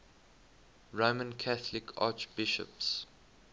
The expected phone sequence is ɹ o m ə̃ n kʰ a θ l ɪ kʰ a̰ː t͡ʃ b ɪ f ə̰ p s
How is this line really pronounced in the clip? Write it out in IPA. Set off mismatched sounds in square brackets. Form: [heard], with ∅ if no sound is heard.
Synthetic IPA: ɹ o m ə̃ n kʰ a θ l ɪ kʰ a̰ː t͡ʃ b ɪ [ʃ] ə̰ p s